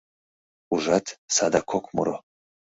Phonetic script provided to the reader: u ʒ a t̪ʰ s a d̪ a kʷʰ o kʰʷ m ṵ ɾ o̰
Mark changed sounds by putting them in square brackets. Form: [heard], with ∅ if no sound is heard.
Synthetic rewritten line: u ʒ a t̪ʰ s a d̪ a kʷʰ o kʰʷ m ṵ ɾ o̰

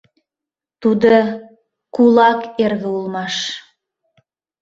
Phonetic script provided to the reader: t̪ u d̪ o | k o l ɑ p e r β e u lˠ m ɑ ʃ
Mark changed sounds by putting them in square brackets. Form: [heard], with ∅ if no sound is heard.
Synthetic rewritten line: t̪ u d̪ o | k [u] l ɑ [k] e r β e u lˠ m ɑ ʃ

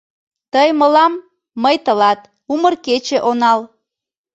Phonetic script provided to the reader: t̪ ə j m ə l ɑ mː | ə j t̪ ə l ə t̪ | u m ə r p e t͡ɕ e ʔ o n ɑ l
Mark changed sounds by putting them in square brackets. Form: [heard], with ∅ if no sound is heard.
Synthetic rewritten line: t̪ ə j m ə l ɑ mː | ə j t̪ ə l [ɑ] t̪ | u m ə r [k] e t͡ɕ e ʔ o n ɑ l

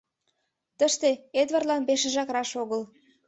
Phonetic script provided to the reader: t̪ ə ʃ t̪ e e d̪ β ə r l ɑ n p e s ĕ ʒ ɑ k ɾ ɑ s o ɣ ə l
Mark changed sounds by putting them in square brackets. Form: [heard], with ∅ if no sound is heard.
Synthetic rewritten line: t̪ ə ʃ t̪ e e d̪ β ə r l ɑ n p e [ʃ] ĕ ʒ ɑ k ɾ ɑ [ʃ] o ɣ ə l

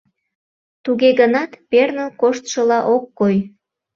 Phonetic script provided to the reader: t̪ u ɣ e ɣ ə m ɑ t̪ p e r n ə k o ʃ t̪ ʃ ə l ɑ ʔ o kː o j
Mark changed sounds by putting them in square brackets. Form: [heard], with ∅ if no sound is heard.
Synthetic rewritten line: t̪ u ɣ e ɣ ə [n] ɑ t̪ p e r n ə k o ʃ t̪ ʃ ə l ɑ ʔ o kː o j

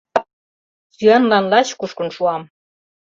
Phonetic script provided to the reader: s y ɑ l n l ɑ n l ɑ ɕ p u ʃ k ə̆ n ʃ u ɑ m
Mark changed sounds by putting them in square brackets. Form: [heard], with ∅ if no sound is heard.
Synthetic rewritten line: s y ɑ [∅] n l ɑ n l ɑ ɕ [k] u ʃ k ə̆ n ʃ u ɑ m

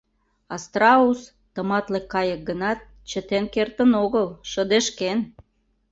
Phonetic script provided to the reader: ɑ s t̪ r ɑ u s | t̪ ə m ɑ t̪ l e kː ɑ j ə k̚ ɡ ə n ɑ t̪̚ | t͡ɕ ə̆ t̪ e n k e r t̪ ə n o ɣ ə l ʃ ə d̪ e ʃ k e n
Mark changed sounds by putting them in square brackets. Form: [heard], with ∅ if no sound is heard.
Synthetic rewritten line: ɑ s t̪ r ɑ u s | t̪ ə m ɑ t̪ l e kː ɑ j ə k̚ ɡ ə n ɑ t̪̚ | t͡ɕ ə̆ t̪ e n k e r t̪ ə n o ɣ ə l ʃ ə d̪ e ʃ k e n

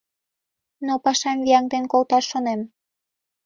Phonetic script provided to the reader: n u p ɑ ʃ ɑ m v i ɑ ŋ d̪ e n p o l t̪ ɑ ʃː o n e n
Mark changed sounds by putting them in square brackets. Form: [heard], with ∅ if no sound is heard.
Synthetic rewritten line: n [o] p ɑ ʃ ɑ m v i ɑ ŋ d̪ e n [k] o l t̪ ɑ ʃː o n e [m]

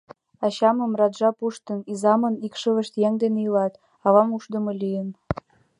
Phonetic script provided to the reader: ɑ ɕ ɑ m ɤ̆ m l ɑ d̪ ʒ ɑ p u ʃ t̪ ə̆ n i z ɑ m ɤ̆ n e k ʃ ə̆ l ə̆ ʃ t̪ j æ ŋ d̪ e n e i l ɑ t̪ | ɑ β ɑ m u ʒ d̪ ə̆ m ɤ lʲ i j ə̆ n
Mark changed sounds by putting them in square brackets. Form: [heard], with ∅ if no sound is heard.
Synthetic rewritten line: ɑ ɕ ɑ m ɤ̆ m [r] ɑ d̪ ʒ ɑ p u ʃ t̪ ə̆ n i z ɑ m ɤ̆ n [i] k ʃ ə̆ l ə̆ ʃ t̪ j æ ŋ d̪ e n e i l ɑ t̪ | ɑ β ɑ m u [ʃ] d̪ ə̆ m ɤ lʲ i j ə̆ n

